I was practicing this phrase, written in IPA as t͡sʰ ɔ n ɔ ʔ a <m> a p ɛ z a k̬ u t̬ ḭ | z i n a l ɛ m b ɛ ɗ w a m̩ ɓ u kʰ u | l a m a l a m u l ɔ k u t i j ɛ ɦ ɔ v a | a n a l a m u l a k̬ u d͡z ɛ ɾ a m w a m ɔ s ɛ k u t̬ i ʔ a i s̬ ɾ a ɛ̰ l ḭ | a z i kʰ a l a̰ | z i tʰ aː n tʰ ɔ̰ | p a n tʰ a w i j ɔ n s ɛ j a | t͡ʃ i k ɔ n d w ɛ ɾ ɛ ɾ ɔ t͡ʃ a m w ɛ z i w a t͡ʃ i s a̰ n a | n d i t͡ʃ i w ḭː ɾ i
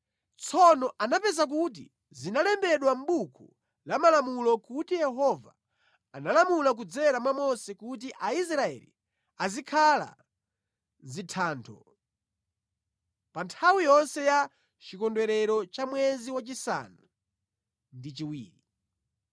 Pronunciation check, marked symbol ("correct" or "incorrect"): incorrect